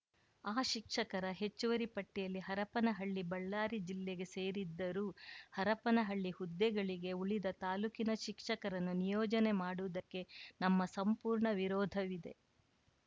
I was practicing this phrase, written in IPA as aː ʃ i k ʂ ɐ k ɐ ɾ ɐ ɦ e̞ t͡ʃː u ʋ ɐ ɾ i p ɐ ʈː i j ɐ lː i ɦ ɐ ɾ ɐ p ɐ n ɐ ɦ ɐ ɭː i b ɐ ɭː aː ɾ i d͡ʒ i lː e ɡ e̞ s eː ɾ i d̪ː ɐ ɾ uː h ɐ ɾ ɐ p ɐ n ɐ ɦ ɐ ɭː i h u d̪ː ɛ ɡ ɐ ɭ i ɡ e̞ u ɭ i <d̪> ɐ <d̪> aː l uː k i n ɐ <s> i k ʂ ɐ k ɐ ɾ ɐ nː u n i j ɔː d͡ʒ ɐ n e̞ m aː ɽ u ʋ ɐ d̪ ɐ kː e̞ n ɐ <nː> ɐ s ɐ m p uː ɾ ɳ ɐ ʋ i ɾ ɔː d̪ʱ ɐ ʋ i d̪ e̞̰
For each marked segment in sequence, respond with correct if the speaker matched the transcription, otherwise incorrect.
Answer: correct, incorrect: t̪, incorrect: ʃ, incorrect: mː

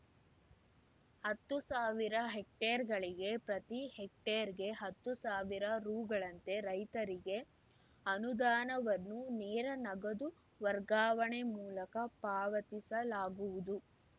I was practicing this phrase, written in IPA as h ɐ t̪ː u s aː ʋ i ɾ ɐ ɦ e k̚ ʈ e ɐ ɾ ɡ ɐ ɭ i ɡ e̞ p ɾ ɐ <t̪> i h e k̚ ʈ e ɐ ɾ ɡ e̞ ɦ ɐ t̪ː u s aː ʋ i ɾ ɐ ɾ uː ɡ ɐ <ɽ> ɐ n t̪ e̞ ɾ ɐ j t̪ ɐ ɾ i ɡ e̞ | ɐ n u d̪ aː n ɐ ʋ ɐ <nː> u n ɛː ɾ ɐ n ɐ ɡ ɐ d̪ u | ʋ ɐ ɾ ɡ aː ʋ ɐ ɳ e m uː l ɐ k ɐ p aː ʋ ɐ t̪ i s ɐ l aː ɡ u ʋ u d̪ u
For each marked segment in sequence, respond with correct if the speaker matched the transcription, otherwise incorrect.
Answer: correct, incorrect: ɭ, correct

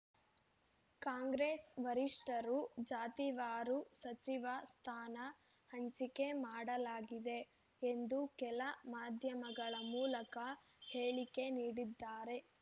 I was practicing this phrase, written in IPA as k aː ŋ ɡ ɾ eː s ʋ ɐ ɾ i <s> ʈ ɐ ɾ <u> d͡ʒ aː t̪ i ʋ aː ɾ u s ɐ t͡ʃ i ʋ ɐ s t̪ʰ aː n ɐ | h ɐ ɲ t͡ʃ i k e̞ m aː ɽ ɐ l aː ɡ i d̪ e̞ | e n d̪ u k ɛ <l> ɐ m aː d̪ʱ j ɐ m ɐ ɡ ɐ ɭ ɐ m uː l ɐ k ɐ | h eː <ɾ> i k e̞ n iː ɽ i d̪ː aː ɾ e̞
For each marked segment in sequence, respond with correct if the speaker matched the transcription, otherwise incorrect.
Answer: incorrect: ʂ, correct, correct, incorrect: ɭ

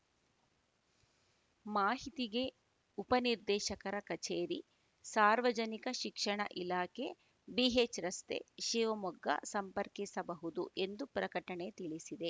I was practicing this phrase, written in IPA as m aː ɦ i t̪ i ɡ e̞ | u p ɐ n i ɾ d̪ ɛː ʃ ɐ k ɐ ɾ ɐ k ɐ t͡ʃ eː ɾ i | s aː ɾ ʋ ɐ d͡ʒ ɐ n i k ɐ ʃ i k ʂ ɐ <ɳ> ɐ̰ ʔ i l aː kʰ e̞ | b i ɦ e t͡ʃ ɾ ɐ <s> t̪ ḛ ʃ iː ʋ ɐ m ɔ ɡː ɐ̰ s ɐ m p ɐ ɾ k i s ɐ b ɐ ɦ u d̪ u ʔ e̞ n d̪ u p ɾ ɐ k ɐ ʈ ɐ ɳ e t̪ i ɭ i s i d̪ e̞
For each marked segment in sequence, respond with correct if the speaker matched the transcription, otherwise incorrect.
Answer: correct, correct

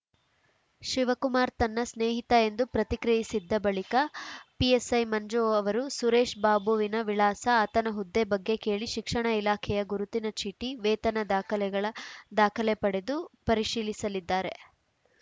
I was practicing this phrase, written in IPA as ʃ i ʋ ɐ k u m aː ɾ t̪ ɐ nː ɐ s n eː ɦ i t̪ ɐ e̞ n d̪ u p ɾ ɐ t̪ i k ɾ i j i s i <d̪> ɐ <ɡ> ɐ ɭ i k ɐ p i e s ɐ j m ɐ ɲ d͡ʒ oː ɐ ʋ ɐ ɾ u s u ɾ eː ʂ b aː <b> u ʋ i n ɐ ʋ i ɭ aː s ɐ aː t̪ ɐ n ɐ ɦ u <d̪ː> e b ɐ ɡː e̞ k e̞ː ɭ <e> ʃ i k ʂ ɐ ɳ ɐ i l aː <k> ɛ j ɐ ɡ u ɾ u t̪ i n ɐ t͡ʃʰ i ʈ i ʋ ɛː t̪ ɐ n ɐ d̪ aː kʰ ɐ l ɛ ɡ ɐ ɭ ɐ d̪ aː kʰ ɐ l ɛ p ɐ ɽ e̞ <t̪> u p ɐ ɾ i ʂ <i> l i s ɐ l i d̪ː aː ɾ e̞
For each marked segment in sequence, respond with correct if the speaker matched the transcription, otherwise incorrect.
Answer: incorrect: d̪ː, incorrect: b, correct, correct, incorrect: i, incorrect: kʰ, incorrect: d̪, incorrect: iː

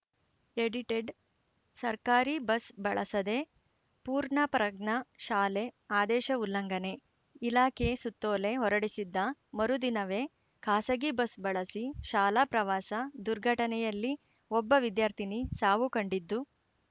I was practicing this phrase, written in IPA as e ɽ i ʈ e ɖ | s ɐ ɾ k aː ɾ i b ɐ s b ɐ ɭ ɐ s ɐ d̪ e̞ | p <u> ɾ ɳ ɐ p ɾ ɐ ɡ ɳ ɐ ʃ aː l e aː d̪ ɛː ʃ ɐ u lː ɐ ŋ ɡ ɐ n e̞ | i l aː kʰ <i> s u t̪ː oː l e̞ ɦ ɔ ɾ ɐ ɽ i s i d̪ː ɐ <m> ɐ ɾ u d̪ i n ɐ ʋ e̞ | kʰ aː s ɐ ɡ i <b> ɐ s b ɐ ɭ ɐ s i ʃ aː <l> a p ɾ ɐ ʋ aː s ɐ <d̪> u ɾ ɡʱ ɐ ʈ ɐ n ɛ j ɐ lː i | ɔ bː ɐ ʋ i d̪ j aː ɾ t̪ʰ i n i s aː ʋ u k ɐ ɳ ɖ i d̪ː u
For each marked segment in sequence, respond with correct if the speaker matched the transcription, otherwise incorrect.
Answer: incorrect: uː, incorrect: e, correct, correct, correct, correct

